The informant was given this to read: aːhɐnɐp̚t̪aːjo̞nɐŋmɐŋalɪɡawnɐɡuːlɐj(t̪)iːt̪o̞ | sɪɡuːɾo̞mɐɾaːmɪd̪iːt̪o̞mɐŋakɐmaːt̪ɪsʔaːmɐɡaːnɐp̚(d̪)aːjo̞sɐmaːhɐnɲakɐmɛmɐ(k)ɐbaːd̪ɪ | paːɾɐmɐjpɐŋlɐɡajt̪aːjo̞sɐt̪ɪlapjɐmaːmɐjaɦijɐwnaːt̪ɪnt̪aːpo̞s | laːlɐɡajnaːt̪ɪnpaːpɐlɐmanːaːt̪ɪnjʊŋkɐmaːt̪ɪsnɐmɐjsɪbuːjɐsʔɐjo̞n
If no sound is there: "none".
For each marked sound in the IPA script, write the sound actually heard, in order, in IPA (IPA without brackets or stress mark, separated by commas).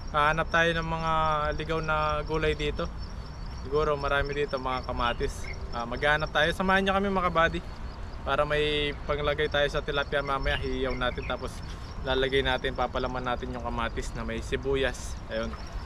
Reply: d̪, t̪, k